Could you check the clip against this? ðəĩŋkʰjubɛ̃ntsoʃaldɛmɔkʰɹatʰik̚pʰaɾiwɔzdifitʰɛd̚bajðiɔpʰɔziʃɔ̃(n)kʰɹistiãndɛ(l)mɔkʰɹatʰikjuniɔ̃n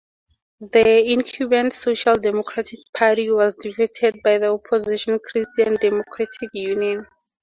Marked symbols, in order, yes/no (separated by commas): yes, no